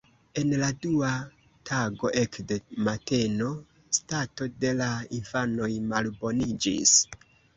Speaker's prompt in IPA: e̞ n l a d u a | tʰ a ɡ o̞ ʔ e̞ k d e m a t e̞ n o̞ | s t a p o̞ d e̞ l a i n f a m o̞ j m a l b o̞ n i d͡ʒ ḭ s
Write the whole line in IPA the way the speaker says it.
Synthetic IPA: e̞ n l a d u a | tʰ a ɡ o̞ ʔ e̞ k d e m a t e̞ n o̞ | s t a t o̞ d e̞ l a i n f a n o̞ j m a l b o̞ n i d͡ʒ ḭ s